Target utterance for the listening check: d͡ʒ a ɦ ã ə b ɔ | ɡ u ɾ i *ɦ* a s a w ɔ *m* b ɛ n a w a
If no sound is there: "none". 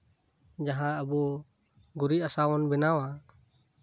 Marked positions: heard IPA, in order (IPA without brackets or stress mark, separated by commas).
none, n